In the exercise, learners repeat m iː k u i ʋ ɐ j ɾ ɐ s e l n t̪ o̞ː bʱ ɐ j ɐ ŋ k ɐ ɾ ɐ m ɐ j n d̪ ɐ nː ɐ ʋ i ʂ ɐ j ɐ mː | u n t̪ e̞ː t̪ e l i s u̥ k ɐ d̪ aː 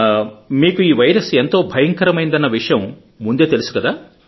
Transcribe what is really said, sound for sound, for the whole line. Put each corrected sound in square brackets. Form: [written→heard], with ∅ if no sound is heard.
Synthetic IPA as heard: m iː k u [i→iː] ʋ ɐ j ɾ ɐ s e [l→∅] n t̪ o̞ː bʱ ɐ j ɐ ŋ k ɐ ɾ ɐ m ɐ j n d̪ ɐ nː ɐ ʋ i ʂ ɐ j ɐ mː | u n [t̪→d̪] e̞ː t̪ e l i s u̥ k ɐ d̪ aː

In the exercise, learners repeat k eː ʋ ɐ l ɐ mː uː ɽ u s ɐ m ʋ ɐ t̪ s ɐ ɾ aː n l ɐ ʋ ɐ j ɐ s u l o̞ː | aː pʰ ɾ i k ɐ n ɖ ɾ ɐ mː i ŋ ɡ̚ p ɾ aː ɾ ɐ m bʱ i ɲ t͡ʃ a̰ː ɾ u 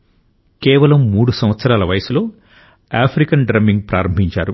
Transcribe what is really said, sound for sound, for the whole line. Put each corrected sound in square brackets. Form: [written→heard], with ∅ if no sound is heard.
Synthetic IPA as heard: k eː ʋ ɐ l ɐ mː uː ɽ u s ɐ m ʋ ɐ t̪ s ɐ ɾ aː [n→∅] l ɐ ʋ ɐ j ɐ s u l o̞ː | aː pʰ ɾ i k ɐ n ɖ ɾ ɐ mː i ŋ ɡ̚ p ɾ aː ɾ ɐ m bʱ i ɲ t͡ʃ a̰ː ɾ u

